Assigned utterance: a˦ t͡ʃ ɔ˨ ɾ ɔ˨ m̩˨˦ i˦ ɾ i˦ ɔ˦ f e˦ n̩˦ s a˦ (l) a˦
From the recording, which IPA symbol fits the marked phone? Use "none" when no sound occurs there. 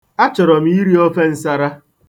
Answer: ɾ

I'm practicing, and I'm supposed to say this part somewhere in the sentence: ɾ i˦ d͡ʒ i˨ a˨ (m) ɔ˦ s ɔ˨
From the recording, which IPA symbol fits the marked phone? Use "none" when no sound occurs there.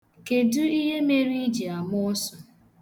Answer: m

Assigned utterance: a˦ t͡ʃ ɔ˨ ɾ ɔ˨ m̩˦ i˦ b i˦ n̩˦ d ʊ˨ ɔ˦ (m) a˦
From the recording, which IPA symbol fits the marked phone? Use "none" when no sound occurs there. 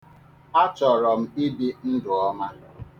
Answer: m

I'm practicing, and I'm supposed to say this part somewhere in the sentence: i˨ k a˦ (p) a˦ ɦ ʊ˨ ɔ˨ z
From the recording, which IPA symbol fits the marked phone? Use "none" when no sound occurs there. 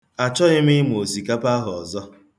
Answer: p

